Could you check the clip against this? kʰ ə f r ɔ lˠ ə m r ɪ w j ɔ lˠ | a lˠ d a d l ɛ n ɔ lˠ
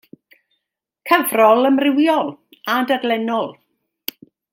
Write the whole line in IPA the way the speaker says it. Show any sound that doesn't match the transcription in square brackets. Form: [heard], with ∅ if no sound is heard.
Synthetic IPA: kʰ ə [v] r ɔ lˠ ə m r ɪ w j ɔ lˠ | a [∅] d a d l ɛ n ɔ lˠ